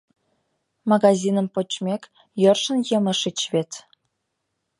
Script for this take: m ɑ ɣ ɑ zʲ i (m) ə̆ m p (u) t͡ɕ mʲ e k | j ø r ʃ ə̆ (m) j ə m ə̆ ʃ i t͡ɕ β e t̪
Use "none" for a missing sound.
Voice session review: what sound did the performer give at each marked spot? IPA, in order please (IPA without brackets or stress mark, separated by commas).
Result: n, o, n